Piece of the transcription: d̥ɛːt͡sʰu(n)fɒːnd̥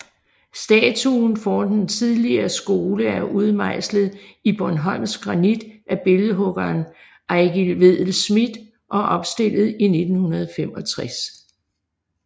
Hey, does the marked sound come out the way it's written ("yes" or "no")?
yes